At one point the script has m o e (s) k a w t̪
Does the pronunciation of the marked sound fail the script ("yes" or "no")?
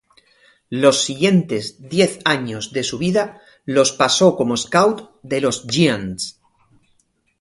no